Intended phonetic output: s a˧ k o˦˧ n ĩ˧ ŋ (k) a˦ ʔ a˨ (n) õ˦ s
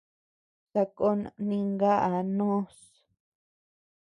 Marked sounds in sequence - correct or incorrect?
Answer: incorrect, correct

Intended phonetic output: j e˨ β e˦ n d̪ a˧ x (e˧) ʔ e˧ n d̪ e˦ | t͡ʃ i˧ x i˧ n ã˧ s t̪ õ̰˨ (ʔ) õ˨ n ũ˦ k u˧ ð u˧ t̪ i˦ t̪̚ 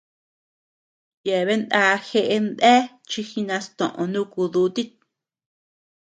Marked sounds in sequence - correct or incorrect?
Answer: correct, correct

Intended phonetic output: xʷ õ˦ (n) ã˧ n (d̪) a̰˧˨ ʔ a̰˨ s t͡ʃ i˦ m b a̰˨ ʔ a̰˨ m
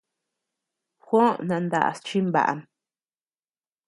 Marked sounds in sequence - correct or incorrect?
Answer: correct, correct

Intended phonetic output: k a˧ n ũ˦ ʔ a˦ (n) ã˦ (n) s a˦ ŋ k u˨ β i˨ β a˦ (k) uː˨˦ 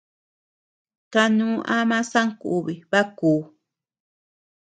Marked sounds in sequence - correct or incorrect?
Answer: incorrect, incorrect, correct

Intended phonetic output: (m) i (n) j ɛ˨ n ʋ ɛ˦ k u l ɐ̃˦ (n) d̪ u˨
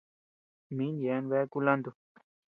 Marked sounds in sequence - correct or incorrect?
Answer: correct, correct, correct

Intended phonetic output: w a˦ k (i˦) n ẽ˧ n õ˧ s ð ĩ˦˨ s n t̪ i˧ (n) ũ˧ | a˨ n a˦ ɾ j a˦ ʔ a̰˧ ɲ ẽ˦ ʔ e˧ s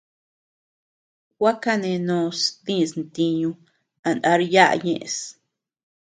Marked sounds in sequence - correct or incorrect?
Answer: incorrect, incorrect

